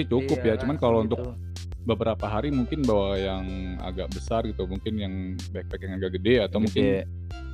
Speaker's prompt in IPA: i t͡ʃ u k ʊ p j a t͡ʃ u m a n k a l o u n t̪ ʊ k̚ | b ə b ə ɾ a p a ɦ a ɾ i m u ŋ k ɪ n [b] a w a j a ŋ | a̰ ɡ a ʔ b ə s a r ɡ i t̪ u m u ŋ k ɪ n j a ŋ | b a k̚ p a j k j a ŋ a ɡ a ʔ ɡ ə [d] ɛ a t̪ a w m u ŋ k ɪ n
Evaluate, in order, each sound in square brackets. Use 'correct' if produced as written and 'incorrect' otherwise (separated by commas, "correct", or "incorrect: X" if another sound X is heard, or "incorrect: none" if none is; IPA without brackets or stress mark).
correct, correct